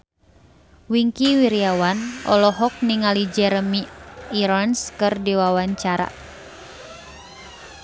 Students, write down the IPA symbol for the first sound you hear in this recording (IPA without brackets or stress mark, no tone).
w